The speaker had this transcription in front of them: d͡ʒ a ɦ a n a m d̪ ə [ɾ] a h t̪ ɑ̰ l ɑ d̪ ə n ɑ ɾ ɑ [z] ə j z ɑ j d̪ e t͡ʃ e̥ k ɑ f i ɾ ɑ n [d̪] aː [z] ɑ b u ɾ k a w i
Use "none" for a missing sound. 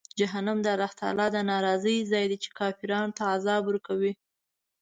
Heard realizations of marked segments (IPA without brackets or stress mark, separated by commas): ɾ, z, t̪, z